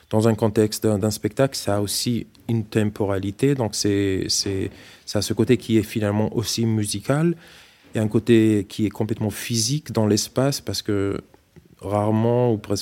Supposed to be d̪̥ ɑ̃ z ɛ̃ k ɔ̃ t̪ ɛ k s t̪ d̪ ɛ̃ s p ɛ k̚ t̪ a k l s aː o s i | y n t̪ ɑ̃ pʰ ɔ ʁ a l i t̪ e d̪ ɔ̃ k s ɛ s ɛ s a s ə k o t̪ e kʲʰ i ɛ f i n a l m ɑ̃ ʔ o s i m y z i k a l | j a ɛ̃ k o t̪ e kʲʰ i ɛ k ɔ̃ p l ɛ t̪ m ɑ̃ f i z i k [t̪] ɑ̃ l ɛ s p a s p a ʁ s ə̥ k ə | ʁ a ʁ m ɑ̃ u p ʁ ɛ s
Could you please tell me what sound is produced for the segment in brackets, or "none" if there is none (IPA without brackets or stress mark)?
d̪